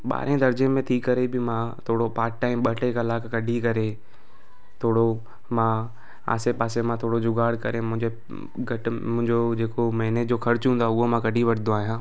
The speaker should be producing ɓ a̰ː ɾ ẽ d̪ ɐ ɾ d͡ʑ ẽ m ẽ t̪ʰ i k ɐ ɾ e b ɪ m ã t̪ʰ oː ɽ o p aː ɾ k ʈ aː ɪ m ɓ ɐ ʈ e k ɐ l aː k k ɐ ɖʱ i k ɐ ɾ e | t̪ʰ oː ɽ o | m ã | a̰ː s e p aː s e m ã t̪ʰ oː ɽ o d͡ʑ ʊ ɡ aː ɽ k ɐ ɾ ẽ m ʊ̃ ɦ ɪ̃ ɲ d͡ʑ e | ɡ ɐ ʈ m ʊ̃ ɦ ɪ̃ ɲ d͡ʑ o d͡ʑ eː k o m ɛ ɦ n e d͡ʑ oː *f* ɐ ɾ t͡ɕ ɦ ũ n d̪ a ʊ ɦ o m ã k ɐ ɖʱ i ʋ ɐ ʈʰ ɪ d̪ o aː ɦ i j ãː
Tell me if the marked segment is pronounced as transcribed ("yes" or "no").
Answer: no